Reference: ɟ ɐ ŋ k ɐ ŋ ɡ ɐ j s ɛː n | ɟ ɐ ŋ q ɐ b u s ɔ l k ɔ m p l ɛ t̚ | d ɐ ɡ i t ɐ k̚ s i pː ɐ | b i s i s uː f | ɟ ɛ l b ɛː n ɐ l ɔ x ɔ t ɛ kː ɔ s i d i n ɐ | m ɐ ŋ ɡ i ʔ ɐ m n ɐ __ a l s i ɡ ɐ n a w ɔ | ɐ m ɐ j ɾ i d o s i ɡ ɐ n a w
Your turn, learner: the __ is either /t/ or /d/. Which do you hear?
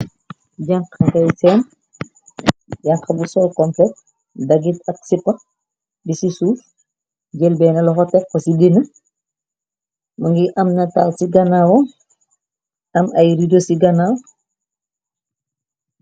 t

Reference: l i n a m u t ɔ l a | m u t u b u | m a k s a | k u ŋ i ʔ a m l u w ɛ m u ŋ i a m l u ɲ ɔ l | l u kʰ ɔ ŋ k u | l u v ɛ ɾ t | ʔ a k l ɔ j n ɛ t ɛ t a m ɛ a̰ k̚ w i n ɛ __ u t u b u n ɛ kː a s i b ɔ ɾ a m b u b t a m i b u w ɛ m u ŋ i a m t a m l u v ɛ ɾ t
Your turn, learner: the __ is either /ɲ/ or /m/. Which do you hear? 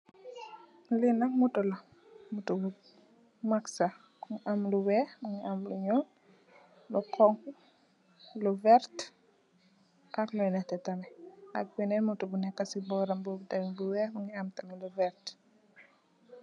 m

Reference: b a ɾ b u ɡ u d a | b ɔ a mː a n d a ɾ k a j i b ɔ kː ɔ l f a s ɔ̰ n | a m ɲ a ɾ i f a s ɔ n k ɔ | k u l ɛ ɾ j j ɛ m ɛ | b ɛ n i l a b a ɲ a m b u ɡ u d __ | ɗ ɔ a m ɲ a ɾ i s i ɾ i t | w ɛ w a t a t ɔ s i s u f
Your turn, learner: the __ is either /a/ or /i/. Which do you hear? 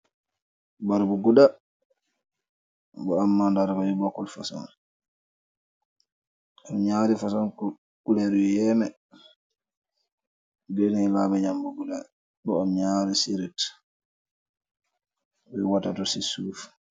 a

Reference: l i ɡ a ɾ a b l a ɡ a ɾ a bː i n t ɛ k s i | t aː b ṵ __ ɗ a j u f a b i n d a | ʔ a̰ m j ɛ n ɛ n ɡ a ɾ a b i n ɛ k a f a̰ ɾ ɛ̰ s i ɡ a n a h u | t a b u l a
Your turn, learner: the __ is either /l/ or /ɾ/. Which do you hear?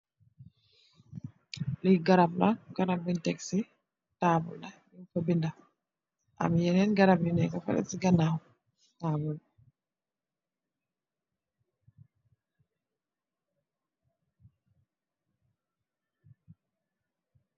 l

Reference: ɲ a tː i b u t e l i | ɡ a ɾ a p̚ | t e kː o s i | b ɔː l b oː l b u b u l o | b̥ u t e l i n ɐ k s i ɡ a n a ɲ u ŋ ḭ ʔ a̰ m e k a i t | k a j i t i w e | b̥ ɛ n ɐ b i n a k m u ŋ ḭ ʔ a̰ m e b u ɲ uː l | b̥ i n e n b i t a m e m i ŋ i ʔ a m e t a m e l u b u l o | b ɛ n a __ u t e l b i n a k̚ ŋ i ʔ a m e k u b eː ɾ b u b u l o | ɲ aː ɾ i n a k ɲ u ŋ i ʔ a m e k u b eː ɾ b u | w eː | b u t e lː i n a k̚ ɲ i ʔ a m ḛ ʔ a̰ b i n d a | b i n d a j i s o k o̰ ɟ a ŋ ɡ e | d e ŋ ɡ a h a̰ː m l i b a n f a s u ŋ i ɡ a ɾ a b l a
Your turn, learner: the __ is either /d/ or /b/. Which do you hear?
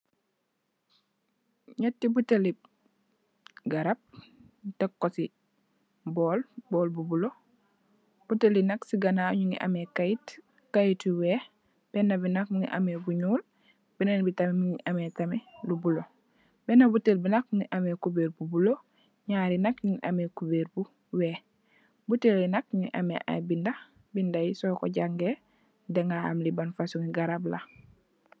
b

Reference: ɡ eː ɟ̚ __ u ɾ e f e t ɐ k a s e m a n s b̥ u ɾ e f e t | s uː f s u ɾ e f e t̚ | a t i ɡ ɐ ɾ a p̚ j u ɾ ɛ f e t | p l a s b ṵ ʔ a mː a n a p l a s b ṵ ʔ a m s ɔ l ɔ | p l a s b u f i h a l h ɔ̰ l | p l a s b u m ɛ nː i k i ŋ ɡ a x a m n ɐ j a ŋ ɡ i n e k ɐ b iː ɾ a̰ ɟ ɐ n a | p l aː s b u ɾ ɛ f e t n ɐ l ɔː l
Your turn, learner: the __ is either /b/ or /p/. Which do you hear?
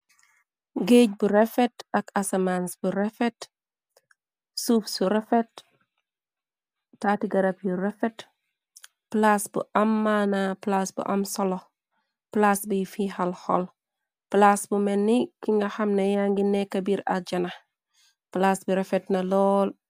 b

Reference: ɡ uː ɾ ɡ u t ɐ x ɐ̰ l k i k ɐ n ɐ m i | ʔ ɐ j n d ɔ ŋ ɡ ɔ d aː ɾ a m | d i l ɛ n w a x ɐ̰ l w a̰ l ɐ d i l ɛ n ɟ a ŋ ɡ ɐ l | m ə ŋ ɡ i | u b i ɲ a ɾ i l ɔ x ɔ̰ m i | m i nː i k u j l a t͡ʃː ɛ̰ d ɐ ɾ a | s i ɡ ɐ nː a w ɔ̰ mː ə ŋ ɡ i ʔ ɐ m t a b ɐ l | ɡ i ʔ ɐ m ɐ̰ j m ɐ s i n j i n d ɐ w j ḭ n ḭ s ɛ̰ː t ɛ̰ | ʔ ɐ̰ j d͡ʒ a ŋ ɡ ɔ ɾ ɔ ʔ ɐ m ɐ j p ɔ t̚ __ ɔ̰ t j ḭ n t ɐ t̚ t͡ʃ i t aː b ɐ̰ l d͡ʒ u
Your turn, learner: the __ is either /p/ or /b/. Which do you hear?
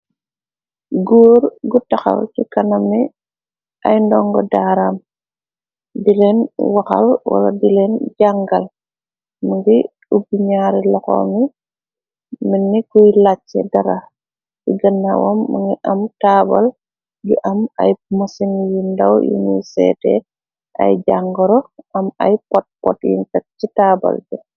p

